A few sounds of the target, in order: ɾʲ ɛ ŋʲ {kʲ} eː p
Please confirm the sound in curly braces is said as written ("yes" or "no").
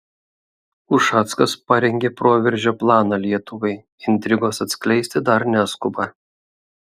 no